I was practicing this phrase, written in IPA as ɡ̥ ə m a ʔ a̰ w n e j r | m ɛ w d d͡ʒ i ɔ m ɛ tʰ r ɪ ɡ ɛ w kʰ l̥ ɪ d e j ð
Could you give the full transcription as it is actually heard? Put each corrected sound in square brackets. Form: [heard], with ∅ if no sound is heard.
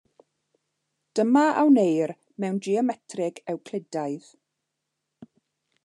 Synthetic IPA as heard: [d̥] ə m a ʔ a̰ w n e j r | m ɛ w [n] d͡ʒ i ɔ m ɛ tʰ r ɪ ɡ ɛ w kʰ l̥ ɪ d [a] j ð

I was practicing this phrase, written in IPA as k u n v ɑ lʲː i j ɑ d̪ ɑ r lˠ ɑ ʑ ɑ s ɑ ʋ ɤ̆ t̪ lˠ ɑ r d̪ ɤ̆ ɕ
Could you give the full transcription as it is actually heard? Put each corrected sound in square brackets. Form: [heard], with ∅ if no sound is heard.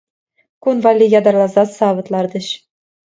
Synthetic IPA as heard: k u n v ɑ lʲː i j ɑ d̪ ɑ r lˠ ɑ [z] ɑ s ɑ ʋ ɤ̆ t̪ lˠ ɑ r d̪ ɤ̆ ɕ

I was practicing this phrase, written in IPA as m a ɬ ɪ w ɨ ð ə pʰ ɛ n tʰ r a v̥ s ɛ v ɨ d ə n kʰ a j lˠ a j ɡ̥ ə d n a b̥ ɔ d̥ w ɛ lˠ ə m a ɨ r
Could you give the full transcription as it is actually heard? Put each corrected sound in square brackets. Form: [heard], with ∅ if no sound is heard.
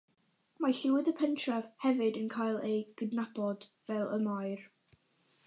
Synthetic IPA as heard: m a ɬ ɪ w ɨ ð ə pʰ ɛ n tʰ r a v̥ [h] ɛ v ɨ d ə n kʰ a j lˠ [e] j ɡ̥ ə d n a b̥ ɔ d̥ [v] ɛ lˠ ə m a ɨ r

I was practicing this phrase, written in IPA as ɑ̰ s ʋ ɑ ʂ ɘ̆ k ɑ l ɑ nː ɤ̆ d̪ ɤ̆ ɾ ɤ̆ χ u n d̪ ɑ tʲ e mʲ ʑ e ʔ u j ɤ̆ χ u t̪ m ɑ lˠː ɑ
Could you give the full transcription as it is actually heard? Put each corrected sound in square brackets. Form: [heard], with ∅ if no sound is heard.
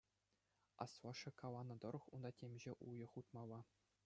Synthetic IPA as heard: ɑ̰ s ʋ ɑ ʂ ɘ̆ k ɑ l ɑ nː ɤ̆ d̪ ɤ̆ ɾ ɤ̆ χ u n d̪ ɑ tʲ e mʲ ʑ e ʔ u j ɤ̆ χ u t̪ m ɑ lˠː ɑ

